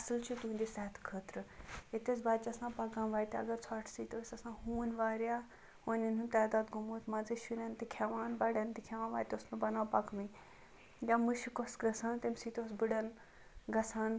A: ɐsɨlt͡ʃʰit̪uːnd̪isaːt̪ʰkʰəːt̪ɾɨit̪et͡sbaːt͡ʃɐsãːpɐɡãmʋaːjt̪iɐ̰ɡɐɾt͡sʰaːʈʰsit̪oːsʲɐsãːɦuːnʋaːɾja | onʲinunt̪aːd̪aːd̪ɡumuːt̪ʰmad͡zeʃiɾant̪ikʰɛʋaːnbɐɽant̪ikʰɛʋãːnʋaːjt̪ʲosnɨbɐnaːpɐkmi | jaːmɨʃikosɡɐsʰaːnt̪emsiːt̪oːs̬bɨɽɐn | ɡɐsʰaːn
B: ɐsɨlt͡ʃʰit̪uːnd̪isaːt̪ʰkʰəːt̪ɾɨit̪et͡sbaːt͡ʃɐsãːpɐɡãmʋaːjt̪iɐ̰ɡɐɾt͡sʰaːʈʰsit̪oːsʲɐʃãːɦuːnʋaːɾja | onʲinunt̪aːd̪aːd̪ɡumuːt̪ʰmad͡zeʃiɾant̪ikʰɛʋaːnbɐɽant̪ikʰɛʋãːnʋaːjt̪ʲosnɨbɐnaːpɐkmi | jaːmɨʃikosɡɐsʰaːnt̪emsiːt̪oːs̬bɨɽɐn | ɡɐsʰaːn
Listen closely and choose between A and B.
A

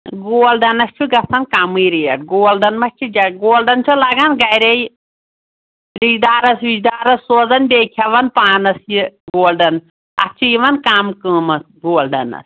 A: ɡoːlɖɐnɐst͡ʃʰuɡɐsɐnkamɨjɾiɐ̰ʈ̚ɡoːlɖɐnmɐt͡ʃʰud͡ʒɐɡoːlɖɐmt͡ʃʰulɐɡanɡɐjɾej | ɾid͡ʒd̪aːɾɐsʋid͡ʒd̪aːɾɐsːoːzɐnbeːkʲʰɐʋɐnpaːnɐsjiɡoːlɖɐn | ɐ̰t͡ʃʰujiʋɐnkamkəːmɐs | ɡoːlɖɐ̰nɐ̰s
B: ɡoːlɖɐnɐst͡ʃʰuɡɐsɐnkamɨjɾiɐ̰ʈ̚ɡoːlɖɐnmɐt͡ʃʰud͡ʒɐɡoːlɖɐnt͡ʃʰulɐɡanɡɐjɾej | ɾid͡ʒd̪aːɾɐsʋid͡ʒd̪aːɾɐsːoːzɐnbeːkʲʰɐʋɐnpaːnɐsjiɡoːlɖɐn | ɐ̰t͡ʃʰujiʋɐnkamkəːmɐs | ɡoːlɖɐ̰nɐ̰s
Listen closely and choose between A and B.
B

